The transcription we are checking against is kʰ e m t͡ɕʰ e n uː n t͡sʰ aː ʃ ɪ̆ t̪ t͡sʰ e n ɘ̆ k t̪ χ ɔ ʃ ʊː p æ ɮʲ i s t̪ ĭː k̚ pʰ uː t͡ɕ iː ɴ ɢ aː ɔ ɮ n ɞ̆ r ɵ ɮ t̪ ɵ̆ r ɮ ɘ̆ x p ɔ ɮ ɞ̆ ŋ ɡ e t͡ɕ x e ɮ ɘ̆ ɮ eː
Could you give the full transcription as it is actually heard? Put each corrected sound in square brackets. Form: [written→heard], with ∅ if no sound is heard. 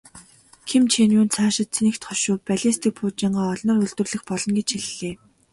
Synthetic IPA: kʰ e m t͡ɕʰ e n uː n t͡sʰ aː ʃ ɪ̆ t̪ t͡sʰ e n ɘ̆ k t̪ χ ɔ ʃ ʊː p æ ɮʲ i s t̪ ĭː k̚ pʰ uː t͡ɕ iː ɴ ɢ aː ɔ ɮ n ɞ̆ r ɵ ɮ t̪ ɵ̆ r ɮ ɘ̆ x p ɔ ɮ ɞ̆ [ŋ→n] ɡ e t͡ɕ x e ɮ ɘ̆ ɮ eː